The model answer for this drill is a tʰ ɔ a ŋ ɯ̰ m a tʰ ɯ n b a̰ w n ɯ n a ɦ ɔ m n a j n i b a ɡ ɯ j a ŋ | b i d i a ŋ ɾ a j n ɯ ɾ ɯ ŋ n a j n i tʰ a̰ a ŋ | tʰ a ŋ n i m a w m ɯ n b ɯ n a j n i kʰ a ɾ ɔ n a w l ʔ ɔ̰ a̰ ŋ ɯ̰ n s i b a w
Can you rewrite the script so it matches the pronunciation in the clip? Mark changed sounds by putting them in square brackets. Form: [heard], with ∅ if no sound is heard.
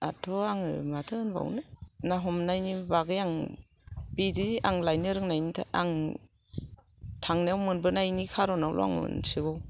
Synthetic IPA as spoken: a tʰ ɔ a ŋ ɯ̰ m a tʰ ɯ n b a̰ w n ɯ n a ɦ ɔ m n a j n i b a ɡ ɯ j a ŋ | b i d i a ŋ [l] a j n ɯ ɾ ɯ ŋ n a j n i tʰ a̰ a ŋ | tʰ a ŋ n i [∅] a w m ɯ n b ɯ n a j n i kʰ a ɾ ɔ n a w l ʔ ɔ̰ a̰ ŋ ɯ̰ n s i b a w